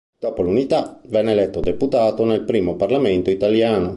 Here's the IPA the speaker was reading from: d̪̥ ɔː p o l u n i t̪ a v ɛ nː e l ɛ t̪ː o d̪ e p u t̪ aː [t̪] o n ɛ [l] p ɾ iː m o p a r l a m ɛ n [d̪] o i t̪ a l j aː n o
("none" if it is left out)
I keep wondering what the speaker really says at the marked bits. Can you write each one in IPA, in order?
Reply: t̪, l, t̪

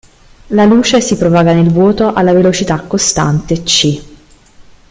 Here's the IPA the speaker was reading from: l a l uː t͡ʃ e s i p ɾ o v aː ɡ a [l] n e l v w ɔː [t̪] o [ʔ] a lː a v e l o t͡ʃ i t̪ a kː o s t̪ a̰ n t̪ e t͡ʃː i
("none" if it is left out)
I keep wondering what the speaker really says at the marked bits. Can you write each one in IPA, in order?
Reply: none, t̪, ʔ

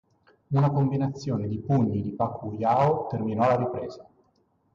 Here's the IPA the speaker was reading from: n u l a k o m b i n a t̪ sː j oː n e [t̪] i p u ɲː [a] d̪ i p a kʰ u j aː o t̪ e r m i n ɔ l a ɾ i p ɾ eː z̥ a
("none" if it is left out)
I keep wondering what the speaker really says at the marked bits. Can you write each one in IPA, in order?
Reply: d̪, i

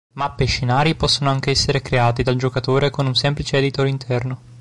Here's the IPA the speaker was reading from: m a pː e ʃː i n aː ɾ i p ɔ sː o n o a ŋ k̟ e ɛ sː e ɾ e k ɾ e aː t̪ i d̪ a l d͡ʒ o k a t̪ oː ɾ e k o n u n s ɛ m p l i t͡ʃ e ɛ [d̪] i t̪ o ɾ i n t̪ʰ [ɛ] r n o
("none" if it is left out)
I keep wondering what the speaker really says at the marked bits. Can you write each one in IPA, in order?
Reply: d̪, ɛ

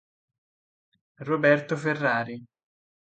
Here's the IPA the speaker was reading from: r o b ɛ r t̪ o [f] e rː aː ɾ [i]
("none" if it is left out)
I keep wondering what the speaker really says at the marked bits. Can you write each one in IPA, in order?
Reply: f, i

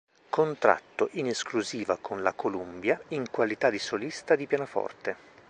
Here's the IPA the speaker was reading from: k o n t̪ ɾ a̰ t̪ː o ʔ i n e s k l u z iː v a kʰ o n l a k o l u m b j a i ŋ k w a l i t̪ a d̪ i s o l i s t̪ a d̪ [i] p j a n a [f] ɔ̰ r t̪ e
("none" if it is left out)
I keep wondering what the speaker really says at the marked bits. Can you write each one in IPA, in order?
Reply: i, f

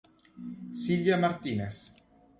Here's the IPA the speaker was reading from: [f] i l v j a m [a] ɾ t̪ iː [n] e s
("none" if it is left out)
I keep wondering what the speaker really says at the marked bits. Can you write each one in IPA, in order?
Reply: s, a, n

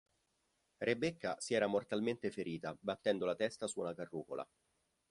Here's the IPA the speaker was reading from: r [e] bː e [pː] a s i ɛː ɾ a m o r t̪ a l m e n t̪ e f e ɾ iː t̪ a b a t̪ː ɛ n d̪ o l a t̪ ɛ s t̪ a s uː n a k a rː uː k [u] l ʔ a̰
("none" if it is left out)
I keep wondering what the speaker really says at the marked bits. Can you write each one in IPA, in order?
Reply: e, kː, o

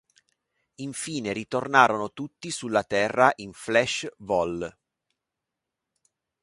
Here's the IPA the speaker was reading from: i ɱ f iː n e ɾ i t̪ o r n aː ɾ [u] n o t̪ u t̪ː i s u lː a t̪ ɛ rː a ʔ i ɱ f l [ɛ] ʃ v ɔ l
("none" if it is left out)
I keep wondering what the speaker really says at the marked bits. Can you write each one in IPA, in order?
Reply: o, ɛ

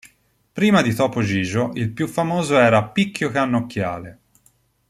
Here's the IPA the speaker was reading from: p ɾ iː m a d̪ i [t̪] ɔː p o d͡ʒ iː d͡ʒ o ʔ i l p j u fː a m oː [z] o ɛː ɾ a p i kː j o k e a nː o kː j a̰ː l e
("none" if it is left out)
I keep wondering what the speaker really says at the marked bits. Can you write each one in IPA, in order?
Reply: t̪, z

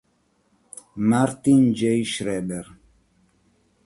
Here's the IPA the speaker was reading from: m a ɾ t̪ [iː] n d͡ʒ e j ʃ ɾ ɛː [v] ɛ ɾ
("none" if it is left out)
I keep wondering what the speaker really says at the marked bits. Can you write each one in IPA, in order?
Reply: i, b

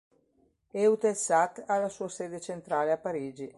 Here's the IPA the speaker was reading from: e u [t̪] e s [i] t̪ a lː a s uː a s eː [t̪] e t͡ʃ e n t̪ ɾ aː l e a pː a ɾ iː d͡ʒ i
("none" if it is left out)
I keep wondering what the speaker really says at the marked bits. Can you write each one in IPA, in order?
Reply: t̪, a, d̪

